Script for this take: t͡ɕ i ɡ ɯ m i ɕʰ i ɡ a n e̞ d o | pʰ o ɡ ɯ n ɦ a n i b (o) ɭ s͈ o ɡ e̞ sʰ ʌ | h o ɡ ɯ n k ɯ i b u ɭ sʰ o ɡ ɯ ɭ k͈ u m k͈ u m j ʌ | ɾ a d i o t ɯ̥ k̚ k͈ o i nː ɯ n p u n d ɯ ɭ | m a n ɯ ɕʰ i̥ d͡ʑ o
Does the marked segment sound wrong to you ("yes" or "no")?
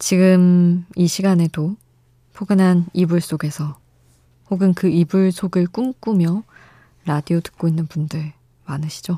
yes